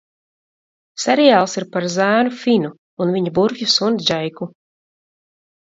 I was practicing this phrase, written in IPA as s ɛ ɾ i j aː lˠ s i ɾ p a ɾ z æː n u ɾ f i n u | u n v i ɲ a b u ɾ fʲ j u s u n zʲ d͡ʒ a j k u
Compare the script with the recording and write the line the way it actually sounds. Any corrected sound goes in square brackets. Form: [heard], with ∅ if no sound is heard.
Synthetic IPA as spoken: s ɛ ɾ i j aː lˠ s i ɾ p a ɾ z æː n u [∅] f i n u | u n v i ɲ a b u ɾ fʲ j u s u n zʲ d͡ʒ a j k u

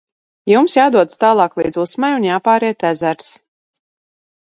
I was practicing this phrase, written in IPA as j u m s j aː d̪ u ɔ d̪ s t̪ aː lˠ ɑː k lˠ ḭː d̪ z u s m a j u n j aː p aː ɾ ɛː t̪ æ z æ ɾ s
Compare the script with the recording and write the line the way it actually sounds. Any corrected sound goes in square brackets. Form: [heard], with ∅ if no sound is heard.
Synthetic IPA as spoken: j u m s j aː d̪ u ɔ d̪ s t̪ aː lˠ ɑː k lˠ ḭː d̪ z u s m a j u n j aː p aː ɾ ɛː t̪ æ z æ ɾ s

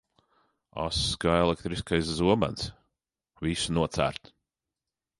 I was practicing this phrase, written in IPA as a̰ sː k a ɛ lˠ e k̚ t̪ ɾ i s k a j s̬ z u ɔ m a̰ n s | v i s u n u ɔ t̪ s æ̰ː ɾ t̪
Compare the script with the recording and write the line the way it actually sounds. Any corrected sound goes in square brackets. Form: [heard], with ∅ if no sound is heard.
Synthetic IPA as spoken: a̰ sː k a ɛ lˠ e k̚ t̪ ɾ i s k a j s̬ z u ɔ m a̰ n s | v i s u n u ɔ t̪ s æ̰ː ɾ t̪

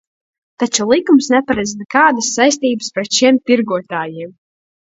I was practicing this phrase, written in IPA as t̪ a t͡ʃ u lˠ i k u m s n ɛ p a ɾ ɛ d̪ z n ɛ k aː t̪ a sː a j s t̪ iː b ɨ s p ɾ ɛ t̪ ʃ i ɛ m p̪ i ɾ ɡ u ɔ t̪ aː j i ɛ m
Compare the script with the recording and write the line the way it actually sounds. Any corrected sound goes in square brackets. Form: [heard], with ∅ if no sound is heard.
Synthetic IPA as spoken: t̪ a t͡ʃ u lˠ i k u m s n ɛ p a ɾ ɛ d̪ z n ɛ k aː [d̪] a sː a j s t̪ iː b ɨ s p ɾ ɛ t̪ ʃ i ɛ m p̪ i ɾ ɡ u ɔ t̪ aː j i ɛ m

